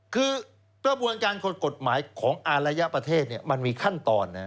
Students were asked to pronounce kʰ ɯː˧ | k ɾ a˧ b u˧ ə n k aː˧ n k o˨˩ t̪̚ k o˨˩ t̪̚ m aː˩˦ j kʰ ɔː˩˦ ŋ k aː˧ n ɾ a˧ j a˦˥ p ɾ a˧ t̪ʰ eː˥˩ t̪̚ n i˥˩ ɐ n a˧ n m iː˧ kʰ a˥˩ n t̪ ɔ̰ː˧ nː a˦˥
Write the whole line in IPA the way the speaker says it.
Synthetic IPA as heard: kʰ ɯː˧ | k ɾ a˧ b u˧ ə n k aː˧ n k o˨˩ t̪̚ k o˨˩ t̪̚ m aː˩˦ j kʰ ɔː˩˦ ŋ ʔ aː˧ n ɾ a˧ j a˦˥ p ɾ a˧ t̪ʰ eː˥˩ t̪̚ n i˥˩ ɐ m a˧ n m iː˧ kʰ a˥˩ n t̪ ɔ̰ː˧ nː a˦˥